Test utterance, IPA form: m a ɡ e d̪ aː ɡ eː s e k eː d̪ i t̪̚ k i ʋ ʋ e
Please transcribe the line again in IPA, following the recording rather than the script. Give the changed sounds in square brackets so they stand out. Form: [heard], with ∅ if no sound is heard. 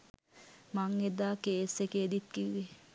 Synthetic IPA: m a [ŋ] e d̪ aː [k] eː s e k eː d̪ i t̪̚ k i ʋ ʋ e